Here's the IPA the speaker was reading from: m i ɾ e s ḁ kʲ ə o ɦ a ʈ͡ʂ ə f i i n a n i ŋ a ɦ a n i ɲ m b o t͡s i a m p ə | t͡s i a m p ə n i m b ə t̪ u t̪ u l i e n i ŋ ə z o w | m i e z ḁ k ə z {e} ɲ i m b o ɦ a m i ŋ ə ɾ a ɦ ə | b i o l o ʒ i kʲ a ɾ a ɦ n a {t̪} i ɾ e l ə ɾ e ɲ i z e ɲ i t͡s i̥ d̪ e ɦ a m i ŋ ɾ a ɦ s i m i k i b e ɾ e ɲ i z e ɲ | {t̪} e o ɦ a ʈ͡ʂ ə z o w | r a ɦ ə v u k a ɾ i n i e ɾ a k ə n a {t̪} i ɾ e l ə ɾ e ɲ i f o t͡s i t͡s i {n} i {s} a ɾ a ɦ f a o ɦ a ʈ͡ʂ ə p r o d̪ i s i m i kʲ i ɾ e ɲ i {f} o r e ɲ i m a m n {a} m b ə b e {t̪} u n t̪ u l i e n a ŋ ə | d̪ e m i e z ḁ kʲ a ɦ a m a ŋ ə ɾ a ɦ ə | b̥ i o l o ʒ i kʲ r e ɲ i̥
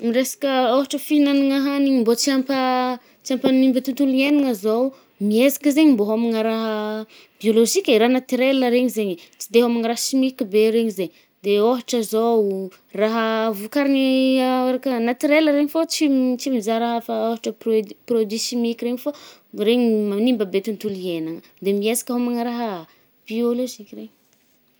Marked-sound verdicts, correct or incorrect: correct, correct, incorrect: d̪, correct, incorrect: m, incorrect: z, correct, incorrect: i, correct

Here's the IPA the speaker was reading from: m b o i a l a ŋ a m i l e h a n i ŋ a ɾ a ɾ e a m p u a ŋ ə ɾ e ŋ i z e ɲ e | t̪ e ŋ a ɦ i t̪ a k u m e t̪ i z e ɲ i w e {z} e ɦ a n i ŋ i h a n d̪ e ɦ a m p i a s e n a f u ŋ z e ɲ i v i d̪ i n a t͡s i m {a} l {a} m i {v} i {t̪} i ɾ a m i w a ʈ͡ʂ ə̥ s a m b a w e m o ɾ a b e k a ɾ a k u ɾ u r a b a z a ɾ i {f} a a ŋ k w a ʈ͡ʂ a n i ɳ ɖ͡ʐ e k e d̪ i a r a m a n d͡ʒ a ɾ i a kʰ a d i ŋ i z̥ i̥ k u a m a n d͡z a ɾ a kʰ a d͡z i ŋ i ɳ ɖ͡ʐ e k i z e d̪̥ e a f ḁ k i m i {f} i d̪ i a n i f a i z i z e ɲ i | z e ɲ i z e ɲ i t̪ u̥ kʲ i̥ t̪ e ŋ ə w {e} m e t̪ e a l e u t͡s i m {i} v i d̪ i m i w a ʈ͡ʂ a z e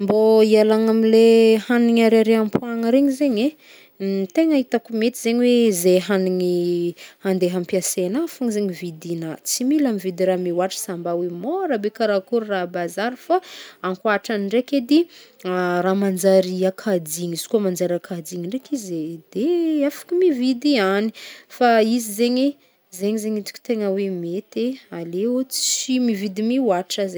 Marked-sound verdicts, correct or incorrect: correct, incorrect: i, correct, correct, incorrect: d̪, correct, incorrect: v, correct, correct

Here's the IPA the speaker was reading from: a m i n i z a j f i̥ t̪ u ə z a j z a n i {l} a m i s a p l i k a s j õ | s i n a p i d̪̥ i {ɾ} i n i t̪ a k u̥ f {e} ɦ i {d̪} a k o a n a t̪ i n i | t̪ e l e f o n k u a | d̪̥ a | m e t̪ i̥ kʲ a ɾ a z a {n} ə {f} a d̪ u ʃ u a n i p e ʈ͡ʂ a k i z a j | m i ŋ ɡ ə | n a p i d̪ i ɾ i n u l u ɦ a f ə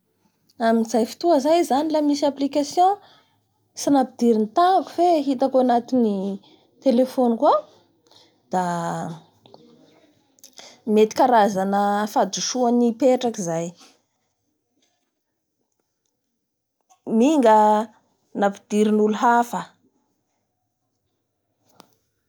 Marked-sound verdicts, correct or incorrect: correct, correct, correct, incorrect: t̪, correct, correct

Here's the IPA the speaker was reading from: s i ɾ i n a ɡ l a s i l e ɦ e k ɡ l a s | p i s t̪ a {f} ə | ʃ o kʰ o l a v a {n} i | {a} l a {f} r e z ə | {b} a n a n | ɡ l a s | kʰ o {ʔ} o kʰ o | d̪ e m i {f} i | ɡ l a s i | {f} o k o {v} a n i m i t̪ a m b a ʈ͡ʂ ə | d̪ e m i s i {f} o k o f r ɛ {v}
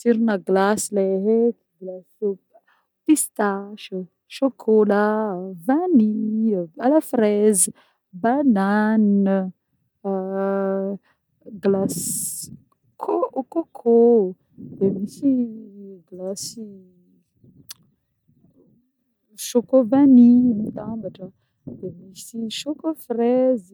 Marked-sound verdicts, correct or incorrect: incorrect: ʃ, correct, correct, correct, correct, incorrect: k, incorrect: s, incorrect: ʃ, correct, incorrect: ʃ, incorrect: z

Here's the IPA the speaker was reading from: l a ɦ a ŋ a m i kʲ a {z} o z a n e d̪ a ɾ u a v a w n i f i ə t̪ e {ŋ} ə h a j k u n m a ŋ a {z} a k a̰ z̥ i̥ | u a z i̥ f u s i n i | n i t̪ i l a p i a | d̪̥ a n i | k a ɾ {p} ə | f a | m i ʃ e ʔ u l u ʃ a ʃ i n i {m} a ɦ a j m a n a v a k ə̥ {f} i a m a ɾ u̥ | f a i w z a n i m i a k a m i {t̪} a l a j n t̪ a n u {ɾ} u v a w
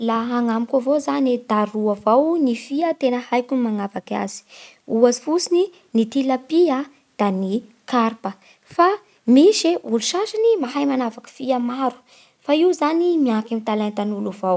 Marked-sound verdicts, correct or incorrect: incorrect: v, incorrect: n, incorrect: v, correct, correct, correct, correct, incorrect: l

